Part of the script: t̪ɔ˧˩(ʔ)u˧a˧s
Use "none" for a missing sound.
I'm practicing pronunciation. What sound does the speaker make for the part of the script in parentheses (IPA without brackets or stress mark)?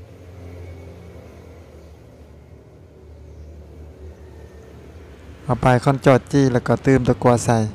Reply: k